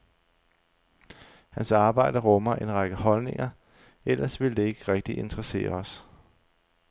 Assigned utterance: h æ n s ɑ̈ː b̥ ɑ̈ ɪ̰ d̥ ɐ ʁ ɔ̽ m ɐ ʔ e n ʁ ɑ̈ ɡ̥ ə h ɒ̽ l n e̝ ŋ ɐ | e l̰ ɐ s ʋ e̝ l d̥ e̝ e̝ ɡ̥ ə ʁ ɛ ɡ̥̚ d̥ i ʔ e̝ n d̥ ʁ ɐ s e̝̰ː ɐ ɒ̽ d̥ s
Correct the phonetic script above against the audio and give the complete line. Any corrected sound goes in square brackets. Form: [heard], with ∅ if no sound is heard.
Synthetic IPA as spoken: h æ n s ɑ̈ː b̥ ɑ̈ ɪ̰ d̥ ɐ ʁ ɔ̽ m ɐ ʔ e n ʁ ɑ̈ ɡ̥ ə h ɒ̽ l n e̝ ŋ ɐ | e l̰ ɐ s ʋ e̝ l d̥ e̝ e̝ ɡ̥ ə ʁ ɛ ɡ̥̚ d̥ i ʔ e̝ n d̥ ʁ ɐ s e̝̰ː ɐ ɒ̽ [∅] s